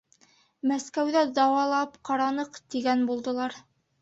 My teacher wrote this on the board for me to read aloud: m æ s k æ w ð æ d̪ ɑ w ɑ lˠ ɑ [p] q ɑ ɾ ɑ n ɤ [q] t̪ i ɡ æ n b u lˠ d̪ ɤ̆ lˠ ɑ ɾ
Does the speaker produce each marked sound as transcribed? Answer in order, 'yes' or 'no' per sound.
yes, yes

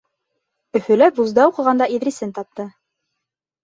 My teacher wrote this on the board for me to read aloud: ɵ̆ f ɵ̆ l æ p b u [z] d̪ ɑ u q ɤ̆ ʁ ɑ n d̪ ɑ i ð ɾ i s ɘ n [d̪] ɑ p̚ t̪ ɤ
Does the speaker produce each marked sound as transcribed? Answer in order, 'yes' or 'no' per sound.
yes, no

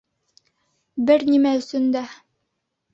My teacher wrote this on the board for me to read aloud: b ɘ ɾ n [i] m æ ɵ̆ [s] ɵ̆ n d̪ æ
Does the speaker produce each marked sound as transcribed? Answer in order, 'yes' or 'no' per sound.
yes, yes

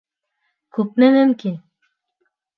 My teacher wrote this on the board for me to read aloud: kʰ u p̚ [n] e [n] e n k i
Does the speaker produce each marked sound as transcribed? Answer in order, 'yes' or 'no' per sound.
yes, yes

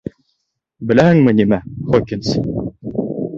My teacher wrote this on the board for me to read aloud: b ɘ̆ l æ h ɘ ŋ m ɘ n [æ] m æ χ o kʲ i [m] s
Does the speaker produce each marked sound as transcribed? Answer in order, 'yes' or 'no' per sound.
no, no

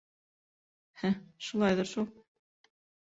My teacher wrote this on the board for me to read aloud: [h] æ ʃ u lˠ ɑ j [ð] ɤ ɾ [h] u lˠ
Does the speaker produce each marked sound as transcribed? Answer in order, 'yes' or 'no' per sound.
yes, yes, no

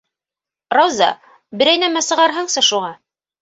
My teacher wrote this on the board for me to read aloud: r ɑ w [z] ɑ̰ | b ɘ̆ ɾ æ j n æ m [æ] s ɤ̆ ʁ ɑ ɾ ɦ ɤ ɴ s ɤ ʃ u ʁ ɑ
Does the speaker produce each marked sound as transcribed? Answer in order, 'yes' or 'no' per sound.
yes, yes

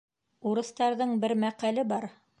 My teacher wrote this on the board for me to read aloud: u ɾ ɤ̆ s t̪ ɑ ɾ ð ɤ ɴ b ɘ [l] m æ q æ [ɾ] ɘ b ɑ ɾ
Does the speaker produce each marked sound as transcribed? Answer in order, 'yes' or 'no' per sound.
no, no

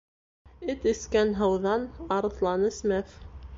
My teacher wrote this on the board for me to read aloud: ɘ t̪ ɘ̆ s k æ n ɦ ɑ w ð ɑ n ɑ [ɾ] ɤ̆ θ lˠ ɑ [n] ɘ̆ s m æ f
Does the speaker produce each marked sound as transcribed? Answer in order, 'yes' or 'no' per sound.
yes, yes

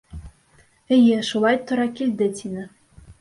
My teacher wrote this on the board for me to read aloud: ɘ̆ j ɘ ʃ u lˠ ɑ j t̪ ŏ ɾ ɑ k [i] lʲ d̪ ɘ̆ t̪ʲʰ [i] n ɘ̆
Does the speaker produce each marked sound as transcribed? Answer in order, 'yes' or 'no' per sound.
yes, yes

